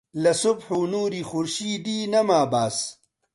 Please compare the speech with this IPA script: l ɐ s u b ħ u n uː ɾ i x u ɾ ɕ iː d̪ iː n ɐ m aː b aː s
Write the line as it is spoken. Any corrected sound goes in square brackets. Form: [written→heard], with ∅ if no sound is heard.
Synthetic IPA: l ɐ s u b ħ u n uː ɾ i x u ɾ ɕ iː d̪ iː n ɐ m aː b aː s